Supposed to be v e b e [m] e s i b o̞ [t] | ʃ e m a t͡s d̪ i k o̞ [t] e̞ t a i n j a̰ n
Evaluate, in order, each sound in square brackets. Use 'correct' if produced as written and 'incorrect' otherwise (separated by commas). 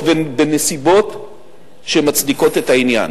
incorrect, correct, correct